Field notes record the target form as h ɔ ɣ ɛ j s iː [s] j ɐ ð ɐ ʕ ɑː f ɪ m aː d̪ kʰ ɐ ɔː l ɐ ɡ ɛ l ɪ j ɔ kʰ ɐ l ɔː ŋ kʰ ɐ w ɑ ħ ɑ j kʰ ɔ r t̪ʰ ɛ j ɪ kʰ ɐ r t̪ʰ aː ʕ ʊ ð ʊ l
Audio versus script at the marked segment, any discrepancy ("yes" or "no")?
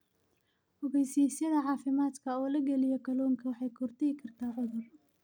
no